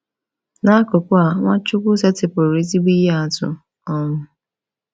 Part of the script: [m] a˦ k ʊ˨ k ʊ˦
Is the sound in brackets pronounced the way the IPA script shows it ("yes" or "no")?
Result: no